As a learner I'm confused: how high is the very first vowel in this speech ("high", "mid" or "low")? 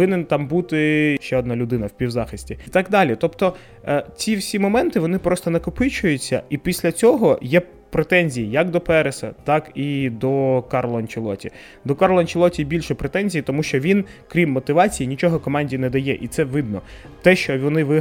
high